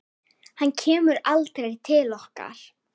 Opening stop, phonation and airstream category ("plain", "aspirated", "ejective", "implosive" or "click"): aspirated